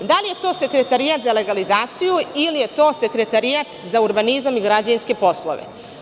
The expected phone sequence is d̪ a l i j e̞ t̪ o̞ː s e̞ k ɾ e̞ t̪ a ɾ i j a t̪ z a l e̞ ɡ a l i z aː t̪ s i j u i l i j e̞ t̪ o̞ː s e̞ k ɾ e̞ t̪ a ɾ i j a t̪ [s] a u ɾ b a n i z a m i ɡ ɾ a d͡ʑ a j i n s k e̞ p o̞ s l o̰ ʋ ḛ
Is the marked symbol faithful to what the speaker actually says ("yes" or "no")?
no